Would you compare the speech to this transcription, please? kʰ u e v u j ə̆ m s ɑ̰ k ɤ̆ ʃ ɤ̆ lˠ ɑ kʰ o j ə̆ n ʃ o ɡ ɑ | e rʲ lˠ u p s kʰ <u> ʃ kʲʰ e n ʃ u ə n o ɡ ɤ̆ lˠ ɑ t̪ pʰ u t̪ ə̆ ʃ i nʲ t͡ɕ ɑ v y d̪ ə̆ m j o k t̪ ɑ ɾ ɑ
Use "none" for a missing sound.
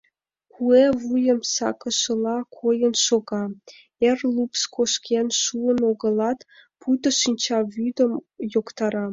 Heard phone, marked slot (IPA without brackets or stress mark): o